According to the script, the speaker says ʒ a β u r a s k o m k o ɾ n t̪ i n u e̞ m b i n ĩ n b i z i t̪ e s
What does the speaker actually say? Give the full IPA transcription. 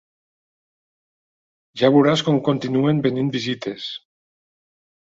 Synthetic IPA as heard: ʒ a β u ɾ a s k o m k o n t̪ i n u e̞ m b e n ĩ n b i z i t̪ e s